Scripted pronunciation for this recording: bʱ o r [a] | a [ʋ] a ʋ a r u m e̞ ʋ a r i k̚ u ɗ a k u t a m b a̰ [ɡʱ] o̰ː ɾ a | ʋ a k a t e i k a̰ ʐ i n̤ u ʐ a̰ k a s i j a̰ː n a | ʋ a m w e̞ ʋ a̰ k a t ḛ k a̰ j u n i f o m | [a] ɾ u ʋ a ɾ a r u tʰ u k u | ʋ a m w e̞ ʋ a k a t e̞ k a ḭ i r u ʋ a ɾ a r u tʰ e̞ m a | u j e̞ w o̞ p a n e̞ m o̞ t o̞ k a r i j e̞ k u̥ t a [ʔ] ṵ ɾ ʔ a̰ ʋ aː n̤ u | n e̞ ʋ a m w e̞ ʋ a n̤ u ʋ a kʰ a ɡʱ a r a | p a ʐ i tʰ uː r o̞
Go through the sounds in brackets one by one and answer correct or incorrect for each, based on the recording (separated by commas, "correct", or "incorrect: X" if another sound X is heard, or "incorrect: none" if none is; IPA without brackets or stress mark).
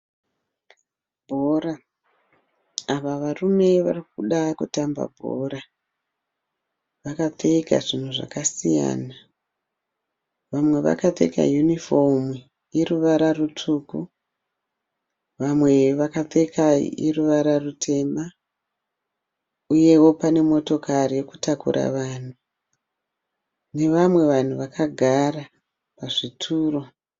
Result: correct, correct, incorrect: bʱ, incorrect: i, incorrect: k